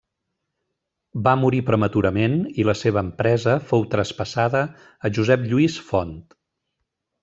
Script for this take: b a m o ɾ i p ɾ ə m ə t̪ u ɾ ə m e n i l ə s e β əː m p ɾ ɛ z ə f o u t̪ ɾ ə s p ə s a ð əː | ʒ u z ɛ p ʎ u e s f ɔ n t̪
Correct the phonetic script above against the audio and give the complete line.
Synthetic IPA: b a m u ɾ i p ɾ ə m ə t̪ u ɾ ə m e n i l ə s e β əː m p ɾ ɛ z ə f o w t̪ ɾ ə s p ə s a ð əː | ʒ u z ɛ p ʎ u i s f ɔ n t̪